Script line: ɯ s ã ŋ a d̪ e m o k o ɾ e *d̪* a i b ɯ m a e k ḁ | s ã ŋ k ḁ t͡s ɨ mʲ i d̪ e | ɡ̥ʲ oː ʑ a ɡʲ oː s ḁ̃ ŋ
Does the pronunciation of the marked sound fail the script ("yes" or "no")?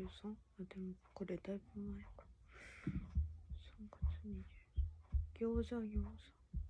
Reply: no